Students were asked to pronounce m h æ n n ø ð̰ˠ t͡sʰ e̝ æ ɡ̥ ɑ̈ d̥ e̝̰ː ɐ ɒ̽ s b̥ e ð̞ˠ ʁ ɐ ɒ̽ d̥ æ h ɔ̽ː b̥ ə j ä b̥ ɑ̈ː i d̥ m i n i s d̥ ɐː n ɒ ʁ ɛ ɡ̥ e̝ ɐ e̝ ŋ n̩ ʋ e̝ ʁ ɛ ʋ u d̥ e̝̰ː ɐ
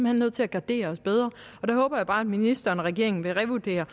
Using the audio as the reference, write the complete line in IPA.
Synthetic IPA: m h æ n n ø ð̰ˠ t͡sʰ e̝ æ ɡ̥ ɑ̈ d̥ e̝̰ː ɐ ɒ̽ s b̥ e ð̞ˠ ʁ ɐ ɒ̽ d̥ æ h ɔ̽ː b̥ ɐ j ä b̥ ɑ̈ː æ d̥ m i n i s d̥ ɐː n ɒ ʁ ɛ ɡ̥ e̝ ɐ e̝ ŋ n̩ ʋ e̝ ʁ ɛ ʋ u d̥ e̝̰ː ɐ